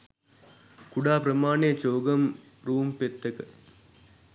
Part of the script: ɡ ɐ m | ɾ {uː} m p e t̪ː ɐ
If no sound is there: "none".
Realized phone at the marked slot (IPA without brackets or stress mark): uː